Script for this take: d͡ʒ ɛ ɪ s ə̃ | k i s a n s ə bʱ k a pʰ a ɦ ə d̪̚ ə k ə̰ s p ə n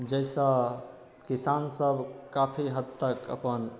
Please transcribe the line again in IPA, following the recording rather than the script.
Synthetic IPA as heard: d͡ʒ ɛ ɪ s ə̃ | k i s a n s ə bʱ k a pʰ i ɦ ə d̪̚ ə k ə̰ p ə n